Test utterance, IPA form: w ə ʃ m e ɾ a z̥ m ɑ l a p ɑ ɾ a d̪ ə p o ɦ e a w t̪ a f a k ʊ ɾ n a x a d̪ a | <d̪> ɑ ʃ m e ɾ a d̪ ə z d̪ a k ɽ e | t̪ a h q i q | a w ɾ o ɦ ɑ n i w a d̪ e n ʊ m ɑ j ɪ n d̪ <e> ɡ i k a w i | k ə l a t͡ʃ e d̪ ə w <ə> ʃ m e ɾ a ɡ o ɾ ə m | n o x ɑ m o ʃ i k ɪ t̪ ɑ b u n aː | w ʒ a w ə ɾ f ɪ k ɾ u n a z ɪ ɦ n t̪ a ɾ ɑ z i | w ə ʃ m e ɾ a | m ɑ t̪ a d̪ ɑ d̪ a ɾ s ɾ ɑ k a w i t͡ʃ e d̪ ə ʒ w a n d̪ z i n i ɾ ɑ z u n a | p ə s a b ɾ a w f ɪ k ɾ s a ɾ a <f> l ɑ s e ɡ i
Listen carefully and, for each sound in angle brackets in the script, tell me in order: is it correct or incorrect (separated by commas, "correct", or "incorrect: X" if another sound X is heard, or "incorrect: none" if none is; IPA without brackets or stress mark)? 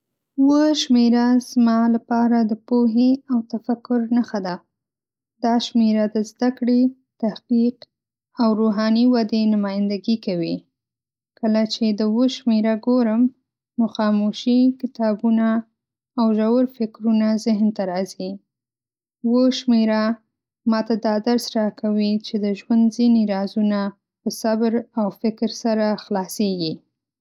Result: correct, incorrect: a, correct, incorrect: x